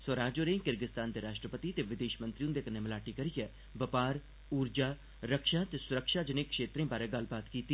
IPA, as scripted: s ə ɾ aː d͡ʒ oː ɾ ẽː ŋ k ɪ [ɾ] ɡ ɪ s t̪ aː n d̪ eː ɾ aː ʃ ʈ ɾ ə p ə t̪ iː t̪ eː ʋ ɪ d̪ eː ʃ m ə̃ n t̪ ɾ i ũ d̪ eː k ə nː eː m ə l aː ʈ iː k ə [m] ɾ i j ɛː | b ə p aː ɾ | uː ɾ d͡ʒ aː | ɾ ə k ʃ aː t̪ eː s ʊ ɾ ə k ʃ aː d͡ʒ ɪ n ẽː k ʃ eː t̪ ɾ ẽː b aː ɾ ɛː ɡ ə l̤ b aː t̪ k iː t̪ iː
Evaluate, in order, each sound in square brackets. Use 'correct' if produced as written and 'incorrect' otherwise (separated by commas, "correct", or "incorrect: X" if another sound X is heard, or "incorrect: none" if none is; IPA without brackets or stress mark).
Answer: correct, incorrect: none